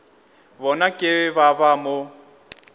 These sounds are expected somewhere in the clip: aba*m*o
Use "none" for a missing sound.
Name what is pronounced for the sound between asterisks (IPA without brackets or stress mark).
m